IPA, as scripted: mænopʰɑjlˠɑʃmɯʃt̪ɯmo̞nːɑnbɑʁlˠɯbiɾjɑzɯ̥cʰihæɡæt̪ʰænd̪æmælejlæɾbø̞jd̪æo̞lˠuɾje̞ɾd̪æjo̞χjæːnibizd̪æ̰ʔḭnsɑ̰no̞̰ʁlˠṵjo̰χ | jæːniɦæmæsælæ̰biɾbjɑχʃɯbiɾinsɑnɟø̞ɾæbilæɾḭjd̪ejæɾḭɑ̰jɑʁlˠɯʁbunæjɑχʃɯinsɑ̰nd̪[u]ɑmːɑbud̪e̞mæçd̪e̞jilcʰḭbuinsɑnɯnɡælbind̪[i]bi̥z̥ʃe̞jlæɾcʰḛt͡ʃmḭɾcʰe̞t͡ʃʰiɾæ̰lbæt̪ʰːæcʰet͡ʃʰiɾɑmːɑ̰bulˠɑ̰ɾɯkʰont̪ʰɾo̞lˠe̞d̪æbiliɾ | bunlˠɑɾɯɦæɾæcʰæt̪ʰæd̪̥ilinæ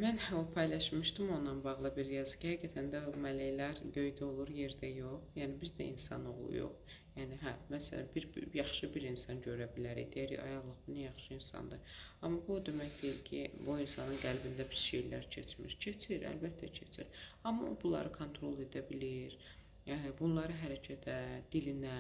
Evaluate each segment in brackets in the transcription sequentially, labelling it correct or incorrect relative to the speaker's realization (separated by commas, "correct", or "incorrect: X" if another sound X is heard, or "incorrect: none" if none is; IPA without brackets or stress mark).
incorrect: ɯ, incorrect: æ